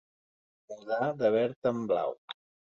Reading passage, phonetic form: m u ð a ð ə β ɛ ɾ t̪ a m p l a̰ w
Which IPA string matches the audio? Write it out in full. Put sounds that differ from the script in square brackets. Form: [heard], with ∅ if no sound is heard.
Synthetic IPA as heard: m u ð a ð ə β ɛ ɾ t̪ [ə] m [b] l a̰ w